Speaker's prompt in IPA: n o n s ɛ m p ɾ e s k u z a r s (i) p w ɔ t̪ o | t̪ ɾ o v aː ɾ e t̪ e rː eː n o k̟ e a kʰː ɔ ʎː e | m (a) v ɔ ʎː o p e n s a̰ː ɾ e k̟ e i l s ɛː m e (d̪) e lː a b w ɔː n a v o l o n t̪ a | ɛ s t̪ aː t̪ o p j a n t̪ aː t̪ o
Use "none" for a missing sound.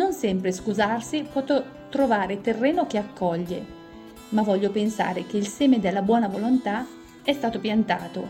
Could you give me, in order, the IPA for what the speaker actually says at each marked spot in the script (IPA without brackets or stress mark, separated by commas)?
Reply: i, a, d̪